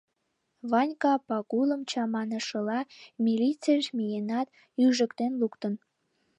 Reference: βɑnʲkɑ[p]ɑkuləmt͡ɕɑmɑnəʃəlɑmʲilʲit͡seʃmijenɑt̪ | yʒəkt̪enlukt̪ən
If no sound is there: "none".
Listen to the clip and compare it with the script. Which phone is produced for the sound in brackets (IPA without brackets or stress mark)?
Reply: p